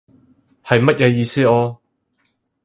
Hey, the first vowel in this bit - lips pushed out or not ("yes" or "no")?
no